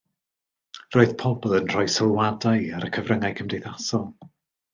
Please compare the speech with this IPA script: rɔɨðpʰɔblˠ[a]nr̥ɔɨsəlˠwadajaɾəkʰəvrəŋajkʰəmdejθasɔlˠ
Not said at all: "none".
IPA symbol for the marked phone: ə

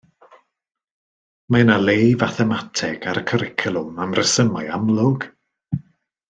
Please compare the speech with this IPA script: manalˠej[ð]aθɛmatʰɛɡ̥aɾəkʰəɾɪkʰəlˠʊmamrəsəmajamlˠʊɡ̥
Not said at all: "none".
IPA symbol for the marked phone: v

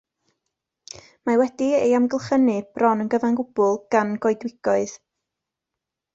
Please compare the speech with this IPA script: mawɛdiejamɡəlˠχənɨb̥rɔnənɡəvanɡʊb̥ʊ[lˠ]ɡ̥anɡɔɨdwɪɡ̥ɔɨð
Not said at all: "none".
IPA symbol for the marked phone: lˠ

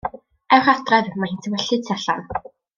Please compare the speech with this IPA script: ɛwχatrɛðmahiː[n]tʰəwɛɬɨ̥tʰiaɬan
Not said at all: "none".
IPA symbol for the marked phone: n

